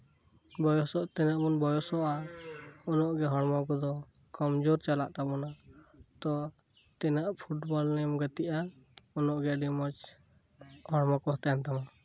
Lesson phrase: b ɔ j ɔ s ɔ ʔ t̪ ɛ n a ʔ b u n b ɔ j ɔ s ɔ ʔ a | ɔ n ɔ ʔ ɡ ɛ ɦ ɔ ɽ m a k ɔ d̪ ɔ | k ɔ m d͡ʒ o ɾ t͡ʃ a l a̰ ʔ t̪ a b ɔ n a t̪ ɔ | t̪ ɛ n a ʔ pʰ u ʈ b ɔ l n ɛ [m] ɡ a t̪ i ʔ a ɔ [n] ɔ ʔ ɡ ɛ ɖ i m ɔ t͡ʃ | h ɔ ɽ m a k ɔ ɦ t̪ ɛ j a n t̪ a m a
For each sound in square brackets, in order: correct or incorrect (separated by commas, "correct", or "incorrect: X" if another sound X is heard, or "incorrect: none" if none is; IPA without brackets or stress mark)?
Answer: correct, correct